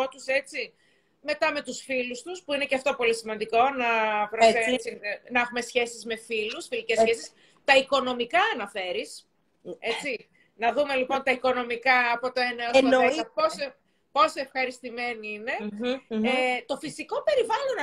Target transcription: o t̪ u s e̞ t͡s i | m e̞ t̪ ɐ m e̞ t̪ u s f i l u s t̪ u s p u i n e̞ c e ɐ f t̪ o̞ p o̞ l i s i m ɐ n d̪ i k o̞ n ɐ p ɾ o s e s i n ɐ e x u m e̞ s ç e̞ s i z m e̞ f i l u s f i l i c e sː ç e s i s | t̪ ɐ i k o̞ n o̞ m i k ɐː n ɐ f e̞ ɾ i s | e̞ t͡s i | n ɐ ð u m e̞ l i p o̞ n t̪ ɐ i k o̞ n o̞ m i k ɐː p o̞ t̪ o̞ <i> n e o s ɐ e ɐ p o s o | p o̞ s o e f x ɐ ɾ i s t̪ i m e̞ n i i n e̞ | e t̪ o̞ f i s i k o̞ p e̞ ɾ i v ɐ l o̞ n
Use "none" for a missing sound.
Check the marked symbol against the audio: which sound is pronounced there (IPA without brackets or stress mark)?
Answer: e